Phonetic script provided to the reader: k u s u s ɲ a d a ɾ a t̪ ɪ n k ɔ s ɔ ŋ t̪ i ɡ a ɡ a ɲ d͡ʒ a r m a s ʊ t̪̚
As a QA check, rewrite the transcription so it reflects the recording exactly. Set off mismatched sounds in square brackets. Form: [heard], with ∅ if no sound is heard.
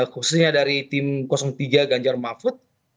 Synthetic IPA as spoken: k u s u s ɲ a d a ɾ [i] t̪ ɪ [m] k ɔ s ɔ ŋ t̪ i ɡ a ɡ a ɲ d͡ʒ a r m a [f] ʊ t̪̚